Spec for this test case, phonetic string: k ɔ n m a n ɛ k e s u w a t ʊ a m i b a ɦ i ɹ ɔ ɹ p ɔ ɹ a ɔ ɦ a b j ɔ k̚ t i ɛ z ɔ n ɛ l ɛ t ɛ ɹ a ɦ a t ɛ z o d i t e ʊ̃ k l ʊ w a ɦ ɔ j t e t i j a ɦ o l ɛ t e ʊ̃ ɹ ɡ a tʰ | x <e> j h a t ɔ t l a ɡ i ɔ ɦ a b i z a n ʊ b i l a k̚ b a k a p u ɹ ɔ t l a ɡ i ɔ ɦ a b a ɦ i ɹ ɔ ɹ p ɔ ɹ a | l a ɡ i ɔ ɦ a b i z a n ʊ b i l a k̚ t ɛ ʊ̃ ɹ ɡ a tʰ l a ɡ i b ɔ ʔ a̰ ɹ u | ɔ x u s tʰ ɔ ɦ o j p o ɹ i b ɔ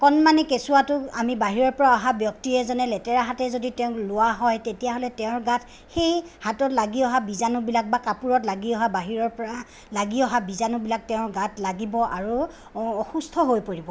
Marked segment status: correct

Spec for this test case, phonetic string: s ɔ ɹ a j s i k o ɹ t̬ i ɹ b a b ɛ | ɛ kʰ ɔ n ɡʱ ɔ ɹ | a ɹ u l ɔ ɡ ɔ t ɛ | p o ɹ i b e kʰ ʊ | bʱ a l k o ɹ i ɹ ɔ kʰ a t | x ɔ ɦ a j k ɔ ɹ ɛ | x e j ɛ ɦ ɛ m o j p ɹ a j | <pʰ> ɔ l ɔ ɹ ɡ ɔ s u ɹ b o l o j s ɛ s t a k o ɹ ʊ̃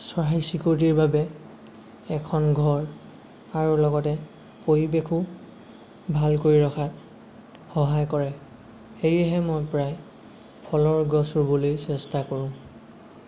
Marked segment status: correct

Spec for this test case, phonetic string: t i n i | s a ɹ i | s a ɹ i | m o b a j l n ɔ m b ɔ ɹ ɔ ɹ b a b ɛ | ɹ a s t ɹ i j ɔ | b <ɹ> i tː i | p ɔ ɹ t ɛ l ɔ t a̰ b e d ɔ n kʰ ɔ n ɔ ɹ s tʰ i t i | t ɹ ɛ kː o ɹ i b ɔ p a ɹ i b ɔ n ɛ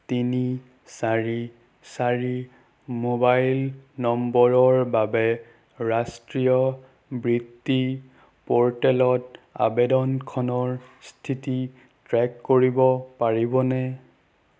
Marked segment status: correct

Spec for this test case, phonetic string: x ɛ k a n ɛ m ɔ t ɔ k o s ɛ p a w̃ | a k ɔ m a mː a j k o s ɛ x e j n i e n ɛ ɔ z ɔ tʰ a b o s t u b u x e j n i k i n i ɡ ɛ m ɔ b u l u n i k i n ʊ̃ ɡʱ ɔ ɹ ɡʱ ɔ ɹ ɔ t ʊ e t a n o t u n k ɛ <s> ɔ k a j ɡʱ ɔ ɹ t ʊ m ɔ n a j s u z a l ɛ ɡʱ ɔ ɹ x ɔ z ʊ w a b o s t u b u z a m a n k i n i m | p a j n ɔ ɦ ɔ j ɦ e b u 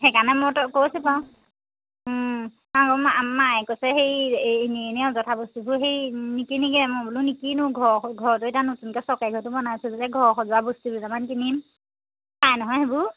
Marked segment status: correct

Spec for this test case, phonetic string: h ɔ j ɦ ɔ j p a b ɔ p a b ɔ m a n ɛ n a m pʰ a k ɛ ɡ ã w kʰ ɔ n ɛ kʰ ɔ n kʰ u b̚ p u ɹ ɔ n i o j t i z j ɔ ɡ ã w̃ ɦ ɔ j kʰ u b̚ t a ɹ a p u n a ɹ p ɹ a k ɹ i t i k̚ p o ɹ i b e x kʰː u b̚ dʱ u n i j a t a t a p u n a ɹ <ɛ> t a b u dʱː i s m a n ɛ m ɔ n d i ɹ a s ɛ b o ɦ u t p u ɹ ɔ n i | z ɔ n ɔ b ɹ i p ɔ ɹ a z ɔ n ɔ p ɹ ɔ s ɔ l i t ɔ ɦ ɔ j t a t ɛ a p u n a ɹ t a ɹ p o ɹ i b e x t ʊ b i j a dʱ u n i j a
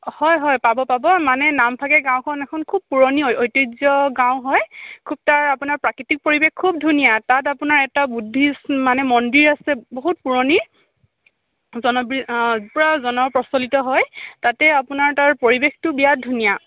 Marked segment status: correct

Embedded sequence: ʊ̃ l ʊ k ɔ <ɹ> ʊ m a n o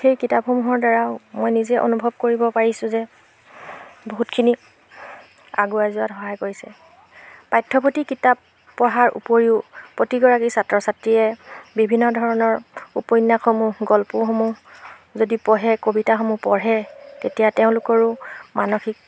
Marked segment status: correct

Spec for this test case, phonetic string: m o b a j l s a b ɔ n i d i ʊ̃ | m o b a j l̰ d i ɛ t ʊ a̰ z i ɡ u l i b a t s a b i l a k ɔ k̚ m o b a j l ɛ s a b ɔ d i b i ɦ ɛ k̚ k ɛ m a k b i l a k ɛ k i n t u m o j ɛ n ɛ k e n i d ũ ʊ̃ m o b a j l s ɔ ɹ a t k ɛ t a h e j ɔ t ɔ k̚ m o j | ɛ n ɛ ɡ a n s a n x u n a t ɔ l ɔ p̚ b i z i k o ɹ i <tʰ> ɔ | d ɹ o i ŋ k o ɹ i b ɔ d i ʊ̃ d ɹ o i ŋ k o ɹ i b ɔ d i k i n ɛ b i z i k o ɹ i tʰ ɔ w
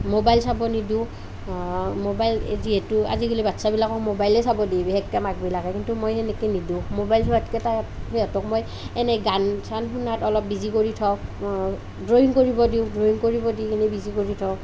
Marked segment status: correct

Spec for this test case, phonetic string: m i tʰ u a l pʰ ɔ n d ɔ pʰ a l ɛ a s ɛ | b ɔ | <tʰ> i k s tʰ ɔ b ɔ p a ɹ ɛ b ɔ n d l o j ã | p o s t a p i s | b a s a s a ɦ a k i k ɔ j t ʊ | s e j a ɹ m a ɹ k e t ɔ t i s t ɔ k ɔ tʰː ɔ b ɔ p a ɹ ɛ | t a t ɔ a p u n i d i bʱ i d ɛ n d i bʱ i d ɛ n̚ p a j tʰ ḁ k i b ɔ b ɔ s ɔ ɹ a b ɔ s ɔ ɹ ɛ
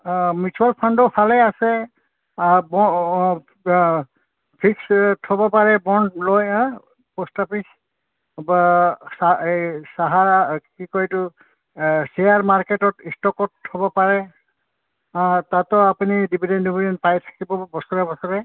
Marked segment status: incorrect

